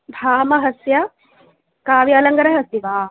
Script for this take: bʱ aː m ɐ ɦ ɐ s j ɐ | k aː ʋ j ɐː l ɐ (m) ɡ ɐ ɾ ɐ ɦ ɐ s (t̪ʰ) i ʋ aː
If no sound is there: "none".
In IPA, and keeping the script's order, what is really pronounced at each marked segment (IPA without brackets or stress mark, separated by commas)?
ŋ, t̪